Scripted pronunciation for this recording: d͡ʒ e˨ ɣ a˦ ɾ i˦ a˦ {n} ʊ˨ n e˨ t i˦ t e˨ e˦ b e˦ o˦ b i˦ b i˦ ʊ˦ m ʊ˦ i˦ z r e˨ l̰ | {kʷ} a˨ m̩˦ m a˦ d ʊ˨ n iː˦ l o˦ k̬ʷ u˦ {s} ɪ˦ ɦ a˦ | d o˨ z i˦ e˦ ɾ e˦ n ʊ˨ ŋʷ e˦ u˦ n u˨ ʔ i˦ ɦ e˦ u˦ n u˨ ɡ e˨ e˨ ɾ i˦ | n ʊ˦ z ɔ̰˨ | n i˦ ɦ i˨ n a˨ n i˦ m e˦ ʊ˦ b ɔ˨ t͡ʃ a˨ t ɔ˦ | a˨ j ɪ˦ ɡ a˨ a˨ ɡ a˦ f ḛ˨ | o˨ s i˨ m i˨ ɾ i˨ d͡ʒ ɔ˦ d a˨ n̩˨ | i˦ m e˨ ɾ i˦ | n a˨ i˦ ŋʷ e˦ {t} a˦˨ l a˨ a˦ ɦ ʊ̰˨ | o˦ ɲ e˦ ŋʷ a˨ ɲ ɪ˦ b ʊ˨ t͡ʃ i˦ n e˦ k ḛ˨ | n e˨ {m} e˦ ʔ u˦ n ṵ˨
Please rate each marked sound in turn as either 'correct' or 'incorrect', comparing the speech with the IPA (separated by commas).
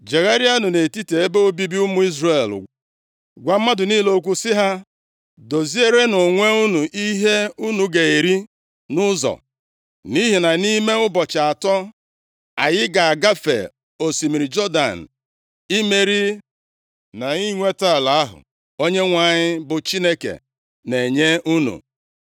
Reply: correct, incorrect, correct, correct, incorrect